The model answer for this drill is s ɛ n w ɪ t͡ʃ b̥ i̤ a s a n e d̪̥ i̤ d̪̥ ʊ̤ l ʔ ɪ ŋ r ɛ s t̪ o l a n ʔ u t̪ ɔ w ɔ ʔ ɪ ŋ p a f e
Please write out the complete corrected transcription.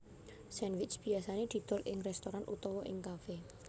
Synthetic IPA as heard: s ɛ n w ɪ t͡ʃ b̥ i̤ a s a n e d̪̥ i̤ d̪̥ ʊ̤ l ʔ ɪ ŋ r ɛ s t̪ o ɾ a n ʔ u t̪ ɔ w ɔ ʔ ɪ ŋ k a f e